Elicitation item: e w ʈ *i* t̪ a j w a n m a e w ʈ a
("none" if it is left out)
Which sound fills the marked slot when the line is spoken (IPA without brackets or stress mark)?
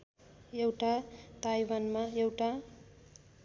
a